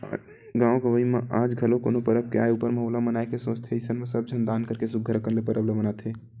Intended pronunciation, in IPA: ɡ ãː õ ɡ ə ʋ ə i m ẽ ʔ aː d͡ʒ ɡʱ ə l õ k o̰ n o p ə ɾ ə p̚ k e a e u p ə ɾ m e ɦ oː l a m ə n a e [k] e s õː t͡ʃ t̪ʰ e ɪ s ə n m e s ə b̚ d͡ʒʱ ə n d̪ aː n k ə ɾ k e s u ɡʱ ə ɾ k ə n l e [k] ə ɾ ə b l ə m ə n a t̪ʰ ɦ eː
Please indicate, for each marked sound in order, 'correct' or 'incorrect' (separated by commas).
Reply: correct, incorrect